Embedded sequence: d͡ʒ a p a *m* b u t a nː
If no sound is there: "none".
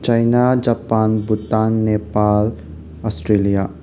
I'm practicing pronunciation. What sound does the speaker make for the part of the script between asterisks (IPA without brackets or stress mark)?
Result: n